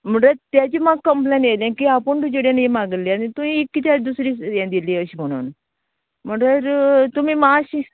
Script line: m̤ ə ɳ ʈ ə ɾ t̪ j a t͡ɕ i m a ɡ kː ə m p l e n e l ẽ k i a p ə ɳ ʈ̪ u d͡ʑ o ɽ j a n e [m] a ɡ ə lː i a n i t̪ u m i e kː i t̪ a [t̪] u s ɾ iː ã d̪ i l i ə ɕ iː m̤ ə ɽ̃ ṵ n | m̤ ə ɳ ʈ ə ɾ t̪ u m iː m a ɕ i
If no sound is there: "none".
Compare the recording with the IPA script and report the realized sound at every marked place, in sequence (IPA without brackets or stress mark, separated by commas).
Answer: m, d̪